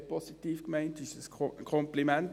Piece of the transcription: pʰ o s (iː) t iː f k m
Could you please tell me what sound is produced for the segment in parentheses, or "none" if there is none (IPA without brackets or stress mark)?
i